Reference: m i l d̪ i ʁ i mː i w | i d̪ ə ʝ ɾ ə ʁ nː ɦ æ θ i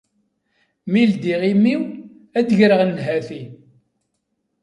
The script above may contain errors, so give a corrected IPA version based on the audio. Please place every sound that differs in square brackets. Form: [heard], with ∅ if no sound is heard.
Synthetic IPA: m i l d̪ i ʁ i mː i w | [æ] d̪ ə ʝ ɾ ə ʁ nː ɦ æ θ i